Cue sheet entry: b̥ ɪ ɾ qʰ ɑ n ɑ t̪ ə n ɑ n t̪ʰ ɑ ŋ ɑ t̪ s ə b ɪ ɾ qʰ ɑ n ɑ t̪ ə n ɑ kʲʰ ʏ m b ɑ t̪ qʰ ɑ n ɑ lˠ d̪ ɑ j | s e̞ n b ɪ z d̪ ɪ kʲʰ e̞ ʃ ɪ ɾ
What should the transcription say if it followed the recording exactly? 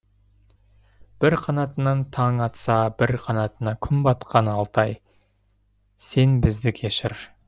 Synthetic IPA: b̥ ɪ ɾ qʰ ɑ n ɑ t̪ ə n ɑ n t̪ʰ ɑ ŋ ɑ t̪ s ɑ b ɪ ɾ qʰ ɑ n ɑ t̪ ə n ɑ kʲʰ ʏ m b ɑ t̪ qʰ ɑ n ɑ lˠ t̪ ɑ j | s e̞ n b ɪ z d̪ ɪ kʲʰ e̞ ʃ ɪ ɾ